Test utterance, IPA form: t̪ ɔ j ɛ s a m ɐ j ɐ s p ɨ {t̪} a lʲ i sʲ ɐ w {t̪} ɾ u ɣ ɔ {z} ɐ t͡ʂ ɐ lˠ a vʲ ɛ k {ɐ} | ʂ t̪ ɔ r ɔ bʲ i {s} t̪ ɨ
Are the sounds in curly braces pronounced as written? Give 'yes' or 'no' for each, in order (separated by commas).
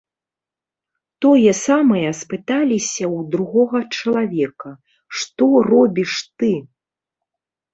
yes, no, no, yes, no